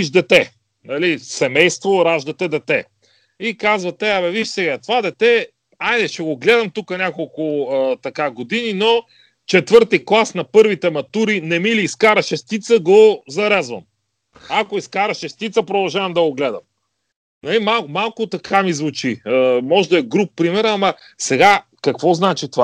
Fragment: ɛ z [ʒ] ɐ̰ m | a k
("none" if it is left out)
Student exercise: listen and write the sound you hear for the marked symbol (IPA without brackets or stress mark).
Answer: v